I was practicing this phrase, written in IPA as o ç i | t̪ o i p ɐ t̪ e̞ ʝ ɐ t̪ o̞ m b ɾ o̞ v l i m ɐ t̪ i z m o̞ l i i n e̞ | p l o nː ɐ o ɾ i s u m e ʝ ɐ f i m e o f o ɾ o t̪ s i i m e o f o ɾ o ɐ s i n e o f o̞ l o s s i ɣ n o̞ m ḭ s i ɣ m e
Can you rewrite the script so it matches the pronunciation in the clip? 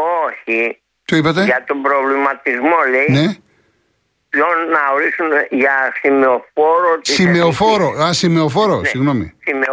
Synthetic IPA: o ç i | t̪ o i p ɐ t̪ e̞ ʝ ɐ t̪ o̞ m b ɾ o̞ v l i m ɐ t̪ i z m o̞ l e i n e̞ | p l o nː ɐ o ɾ i s u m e ʝ ɐ s i m e o f o ɾ o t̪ s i i m e o f o ɾ o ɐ s i m e o f o̞ ɾ o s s i ɣ n o̞ m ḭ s i m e